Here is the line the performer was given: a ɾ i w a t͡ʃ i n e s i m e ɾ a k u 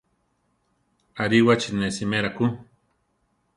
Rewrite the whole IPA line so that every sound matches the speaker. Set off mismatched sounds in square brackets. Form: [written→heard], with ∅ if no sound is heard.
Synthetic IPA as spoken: a ɾ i w a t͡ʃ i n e s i m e ɾ a k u

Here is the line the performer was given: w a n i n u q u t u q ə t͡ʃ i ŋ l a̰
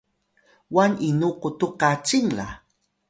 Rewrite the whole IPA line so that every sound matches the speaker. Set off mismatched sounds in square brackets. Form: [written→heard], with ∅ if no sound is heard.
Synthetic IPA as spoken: w a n i n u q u t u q [ə→a] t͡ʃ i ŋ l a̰

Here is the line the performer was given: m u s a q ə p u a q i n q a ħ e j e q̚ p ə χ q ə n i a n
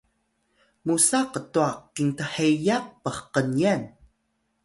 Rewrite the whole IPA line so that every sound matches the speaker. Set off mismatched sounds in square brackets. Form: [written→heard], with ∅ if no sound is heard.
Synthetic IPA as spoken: m u s a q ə [p→t] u a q i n [q→t] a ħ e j [e→a] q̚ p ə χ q ə n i a n

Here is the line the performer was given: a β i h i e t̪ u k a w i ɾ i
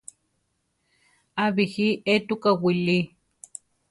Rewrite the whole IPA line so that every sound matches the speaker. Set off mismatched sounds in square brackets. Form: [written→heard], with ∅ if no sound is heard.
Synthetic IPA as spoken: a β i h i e t̪ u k a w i [ɾ→l] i

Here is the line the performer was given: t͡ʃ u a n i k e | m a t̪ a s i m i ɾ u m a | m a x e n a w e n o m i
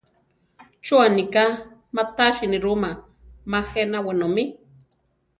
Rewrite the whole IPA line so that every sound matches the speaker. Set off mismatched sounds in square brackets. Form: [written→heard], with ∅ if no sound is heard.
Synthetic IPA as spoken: t͡ʃ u a n i k [e→a] | m a t̪ a [s→ʃ] i [m→n] i ɾ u m a | m a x e n a w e n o m i

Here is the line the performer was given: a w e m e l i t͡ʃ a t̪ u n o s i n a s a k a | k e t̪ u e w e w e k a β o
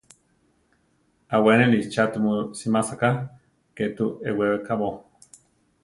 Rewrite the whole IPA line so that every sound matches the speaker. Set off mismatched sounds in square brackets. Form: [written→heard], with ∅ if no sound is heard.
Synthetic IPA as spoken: a w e [m→n] e l i t͡ʃ a t̪ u [n→m] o s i [n→m] a s a k a | k e t̪ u e w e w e k a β o

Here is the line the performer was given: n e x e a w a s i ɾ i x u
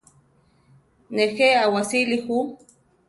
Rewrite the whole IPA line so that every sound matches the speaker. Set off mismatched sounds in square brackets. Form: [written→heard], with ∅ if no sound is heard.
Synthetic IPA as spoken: n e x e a w a s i [ɾ→l] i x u

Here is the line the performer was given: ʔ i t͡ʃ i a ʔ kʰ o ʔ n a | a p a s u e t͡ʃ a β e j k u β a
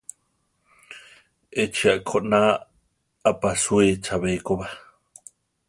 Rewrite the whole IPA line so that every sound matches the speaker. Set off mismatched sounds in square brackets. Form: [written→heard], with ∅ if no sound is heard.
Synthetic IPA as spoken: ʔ [i→e] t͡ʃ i a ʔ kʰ o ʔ n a | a p a s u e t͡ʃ a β e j k [u→o] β a

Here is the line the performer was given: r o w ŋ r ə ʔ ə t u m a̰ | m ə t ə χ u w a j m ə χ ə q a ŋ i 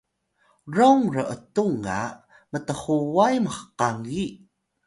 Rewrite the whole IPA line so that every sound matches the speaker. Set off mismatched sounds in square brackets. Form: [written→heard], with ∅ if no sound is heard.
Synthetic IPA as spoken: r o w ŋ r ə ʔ ə t u [m→ŋ] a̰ | m ə t ə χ u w a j m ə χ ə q a ŋ i

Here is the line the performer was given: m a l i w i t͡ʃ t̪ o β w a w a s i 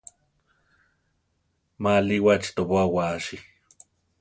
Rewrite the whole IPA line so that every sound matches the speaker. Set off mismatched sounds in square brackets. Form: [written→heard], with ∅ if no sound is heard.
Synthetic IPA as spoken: m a l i w [i→a] t͡ʃ t̪ o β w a w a [s→ʃ] i

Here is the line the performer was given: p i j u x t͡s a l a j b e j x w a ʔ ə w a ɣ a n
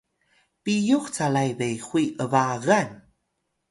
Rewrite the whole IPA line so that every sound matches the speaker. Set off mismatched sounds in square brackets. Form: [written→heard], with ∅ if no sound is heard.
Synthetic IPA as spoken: p i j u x t͡s a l a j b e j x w [a→i] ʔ ə [w→v] a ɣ a n

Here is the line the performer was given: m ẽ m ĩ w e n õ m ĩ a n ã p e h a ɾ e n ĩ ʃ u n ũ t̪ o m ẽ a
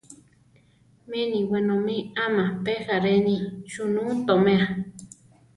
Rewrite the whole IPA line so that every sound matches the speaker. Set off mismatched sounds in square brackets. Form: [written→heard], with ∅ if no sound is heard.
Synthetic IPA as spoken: m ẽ [m→n] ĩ w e n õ m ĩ a [n→m] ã p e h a ɾ e n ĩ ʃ u n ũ t̪ o m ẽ a

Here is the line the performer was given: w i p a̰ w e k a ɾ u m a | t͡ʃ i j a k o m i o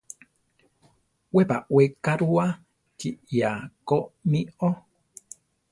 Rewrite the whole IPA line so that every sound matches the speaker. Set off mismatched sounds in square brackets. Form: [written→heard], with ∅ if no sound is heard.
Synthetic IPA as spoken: w [i→e] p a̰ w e k a ɾ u [m→∅] a | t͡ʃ i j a k o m i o

